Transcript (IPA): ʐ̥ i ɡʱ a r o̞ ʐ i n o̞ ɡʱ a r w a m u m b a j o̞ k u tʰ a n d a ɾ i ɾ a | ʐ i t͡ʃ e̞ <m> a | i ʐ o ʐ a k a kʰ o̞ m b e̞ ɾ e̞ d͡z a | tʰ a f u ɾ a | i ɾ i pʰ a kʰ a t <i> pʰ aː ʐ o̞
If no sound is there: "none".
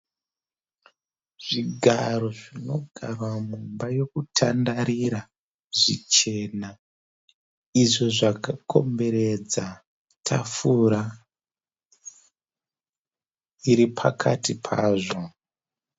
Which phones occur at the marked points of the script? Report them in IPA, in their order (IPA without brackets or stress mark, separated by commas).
n, i